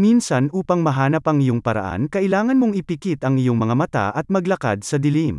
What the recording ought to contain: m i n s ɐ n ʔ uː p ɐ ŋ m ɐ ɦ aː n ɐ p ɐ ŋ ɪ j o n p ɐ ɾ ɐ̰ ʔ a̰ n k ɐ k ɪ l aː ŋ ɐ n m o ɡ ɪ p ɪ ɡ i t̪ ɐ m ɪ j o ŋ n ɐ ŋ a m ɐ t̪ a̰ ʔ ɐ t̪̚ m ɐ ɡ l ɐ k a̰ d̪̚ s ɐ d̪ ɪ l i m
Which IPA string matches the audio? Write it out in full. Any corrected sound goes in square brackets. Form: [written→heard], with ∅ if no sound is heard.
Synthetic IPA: m i n s ɐ n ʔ uː p ɐ ŋ m ɐ ɦ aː n ɐ p ɐ ŋ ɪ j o [n→ŋ] p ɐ ɾ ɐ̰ ʔ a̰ n k ɐ [k→ʔ] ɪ l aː ŋ ɐ n m o [ɡ→ŋ] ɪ p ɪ [ɡ→k] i t̪ ɐ [m→ŋ] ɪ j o ŋ [n→m] ɐ ŋ a m ɐ t̪ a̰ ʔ ɐ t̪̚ m ɐ ɡ l ɐ k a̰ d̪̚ s ɐ d̪ ɪ l i m